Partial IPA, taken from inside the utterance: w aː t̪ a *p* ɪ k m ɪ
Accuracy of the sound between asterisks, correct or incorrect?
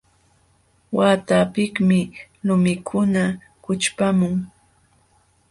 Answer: correct